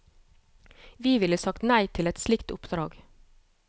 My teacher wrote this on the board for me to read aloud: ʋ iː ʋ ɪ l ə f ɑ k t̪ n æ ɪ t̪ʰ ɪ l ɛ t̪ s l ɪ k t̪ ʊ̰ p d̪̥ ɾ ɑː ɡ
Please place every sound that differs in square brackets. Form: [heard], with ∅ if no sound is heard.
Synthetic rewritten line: ʋ iː ʋ ɪ l ə [s] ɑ k t̪ n æ ɪ t̪ʰ ɪ l ɛ t̪ s l ɪ k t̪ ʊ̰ p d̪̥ ɾ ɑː ɡ